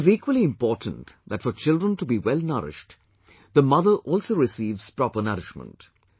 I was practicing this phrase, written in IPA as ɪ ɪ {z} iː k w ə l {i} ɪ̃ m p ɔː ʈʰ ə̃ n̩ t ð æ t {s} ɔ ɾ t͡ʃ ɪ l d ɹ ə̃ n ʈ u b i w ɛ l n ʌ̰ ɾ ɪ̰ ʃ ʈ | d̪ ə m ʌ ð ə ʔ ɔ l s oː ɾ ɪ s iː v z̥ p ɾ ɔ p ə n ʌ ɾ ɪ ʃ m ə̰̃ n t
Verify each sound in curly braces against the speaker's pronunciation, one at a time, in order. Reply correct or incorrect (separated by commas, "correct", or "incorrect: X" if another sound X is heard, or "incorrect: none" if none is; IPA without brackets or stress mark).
correct, correct, incorrect: f